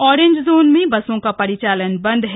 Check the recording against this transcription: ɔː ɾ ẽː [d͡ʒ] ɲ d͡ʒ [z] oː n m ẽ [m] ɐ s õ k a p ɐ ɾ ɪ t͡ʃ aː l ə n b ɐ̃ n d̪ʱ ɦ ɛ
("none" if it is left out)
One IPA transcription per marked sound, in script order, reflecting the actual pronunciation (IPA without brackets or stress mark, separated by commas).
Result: none, z, b